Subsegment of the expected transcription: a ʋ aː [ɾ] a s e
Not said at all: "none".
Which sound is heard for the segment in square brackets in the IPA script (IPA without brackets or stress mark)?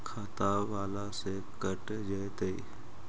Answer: l